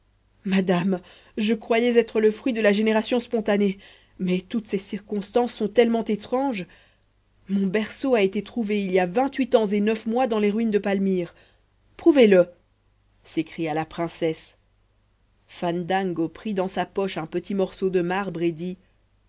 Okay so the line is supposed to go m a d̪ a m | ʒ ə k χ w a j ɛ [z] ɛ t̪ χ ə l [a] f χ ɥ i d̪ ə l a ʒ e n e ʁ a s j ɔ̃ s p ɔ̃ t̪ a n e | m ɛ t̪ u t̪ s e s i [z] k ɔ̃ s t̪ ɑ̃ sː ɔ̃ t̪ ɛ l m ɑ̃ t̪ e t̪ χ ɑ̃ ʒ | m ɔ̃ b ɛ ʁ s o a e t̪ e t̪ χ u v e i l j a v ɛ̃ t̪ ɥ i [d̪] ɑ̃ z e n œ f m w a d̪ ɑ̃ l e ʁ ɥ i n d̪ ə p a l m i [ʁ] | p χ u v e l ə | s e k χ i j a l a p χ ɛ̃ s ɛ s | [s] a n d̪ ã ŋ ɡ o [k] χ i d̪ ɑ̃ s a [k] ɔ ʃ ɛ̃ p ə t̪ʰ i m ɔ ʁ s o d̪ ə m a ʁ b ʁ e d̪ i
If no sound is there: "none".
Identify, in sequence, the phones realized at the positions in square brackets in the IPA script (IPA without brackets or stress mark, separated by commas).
z, ə, ʁ, t̪, ʁ, f, p, p